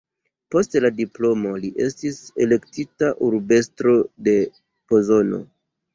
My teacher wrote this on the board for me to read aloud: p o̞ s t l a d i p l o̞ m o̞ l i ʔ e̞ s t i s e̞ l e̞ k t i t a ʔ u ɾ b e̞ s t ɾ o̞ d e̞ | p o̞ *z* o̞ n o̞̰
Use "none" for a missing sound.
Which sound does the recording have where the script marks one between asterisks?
z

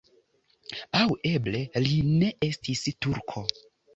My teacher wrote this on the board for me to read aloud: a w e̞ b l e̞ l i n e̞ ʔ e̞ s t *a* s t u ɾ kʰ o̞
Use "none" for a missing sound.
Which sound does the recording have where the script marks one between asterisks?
i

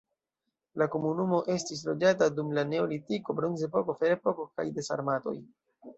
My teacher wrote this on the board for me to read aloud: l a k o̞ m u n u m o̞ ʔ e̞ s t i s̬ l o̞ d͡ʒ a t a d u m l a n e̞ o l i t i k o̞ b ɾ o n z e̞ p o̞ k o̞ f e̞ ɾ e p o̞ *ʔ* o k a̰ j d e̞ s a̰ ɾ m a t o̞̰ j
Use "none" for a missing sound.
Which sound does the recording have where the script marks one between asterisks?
k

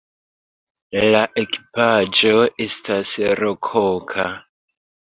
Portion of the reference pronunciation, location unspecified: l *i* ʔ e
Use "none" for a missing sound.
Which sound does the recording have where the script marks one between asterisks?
a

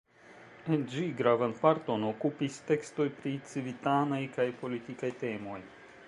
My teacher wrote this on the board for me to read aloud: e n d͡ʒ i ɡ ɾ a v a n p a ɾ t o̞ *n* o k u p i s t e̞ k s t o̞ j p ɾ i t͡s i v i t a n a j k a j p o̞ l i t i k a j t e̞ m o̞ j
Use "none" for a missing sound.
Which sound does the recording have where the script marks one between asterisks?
n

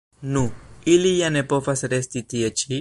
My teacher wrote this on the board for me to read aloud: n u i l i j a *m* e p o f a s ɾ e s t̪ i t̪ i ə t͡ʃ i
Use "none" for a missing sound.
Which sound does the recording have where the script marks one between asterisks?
n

